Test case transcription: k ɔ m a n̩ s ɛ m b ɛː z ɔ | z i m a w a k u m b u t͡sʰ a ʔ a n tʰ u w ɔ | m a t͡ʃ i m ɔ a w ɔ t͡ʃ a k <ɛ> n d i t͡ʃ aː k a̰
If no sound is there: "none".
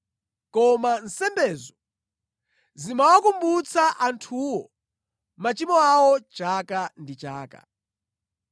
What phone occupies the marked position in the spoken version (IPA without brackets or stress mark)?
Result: a